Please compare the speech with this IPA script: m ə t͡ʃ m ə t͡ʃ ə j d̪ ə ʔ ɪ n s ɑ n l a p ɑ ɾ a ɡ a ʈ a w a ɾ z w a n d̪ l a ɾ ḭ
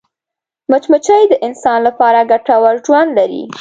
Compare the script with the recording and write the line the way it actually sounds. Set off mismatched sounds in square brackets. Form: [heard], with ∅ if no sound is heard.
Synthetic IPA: m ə t͡ʃ m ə t͡ʃ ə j d̪ ə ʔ ɪ n s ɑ n l a p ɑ ɾ a ɡ a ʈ a w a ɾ [ʒ] w a n d̪ l a ɾ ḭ